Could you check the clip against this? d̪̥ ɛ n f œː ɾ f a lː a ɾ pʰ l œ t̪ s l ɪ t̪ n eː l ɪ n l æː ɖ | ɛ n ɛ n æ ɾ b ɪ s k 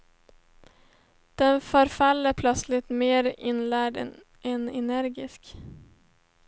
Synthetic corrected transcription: d̪̥ ɛ n f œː ɾ f a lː ə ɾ pʰ l œ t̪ s l ɪ t̪ m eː ɾ ɪ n l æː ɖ | ɛ n ɛ n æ ɾ ɡ ɪ s k